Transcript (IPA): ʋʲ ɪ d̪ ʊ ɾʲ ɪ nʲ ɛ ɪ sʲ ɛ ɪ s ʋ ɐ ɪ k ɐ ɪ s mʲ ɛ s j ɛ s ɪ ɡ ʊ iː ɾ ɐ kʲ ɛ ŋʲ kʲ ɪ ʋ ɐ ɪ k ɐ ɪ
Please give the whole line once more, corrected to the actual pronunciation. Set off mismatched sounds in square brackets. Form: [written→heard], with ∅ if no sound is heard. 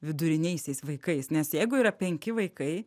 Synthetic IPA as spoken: ʋʲ ɪ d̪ ʊ ɾʲ ɪ nʲ ɛ ɪ sʲ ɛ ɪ s ʋ ɐ ɪ k ɐ ɪ s [mʲ→nʲ] ɛ s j ɛ [s→∅] ɪ ɡ ʊ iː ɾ ɐ [kʲ→pʲ] ɛ ŋʲ kʲ ɪ ʋ ɐ ɪ k ɐ ɪ